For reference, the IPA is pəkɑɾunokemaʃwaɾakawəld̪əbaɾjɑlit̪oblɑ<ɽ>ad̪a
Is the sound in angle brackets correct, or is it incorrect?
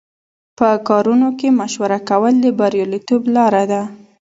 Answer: incorrect